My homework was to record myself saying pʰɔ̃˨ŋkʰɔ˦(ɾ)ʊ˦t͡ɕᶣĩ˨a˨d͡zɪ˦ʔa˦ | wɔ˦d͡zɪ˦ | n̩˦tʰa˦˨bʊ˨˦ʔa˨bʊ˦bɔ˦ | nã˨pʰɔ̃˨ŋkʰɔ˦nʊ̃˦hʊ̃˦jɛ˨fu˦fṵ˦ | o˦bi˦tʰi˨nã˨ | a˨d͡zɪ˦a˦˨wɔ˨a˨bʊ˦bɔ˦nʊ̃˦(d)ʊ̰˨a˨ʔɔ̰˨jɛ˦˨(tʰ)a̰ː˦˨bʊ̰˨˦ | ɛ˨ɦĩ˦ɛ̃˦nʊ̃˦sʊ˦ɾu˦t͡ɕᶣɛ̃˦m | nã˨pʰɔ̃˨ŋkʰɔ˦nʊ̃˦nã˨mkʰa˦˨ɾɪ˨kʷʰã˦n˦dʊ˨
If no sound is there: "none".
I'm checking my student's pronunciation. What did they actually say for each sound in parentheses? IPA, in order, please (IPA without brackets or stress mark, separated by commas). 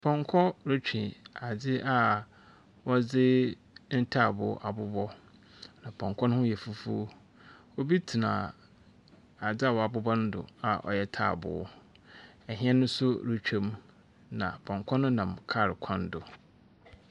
ɾ, d, tʰ